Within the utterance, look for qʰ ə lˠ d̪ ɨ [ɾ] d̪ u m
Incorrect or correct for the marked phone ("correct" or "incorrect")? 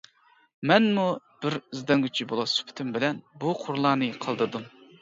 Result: correct